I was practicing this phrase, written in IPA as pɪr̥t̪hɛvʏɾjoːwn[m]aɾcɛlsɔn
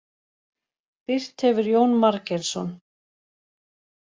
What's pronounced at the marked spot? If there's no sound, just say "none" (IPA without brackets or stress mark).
m